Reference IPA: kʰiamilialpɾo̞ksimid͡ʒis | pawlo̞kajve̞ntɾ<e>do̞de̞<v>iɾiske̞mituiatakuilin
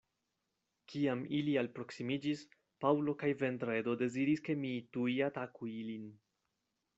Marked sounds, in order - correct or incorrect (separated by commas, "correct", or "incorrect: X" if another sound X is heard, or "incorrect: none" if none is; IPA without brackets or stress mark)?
correct, incorrect: z